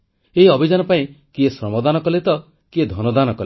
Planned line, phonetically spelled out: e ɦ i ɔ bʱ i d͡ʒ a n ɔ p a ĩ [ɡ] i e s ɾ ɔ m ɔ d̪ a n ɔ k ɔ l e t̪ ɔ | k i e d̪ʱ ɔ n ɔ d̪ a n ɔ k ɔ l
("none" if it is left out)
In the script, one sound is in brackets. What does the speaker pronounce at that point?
k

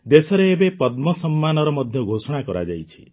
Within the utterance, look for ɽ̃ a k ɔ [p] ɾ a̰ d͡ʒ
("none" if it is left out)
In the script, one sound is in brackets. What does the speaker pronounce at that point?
none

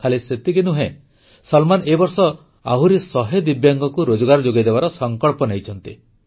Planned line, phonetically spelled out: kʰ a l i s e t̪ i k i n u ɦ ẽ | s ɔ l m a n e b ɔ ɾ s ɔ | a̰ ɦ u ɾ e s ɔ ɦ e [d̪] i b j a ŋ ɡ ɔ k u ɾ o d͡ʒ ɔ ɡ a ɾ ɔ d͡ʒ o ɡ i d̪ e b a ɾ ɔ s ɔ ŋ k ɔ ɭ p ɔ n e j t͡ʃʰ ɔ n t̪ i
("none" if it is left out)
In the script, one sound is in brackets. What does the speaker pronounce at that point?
d̪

